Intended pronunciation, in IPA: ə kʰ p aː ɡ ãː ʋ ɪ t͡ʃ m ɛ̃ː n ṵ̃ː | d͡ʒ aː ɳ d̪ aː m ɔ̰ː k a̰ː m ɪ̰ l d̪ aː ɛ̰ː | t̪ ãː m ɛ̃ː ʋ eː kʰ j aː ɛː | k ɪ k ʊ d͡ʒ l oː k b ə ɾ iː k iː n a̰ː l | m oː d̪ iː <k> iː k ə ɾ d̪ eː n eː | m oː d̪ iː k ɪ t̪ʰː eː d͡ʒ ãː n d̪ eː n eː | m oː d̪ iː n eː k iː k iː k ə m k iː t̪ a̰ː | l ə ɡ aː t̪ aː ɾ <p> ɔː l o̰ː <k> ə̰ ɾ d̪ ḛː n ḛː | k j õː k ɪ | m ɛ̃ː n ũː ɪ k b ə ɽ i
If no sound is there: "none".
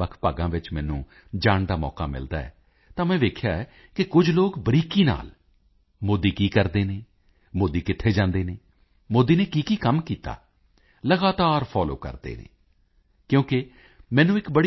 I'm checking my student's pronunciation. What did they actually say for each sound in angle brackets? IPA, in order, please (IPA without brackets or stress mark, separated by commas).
k, pʰ, k